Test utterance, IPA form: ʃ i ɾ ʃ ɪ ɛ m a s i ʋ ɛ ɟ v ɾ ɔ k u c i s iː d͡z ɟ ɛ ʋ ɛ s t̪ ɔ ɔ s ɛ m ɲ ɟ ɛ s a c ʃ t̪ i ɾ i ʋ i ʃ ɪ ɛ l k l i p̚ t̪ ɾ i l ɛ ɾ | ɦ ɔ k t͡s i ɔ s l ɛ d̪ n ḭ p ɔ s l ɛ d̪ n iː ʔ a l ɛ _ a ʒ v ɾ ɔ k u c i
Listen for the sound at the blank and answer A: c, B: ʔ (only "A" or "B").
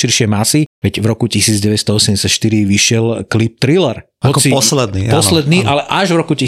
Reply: B